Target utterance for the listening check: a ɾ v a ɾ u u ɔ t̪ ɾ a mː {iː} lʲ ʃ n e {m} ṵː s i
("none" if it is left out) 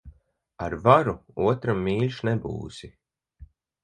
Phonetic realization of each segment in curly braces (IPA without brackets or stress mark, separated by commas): iː, b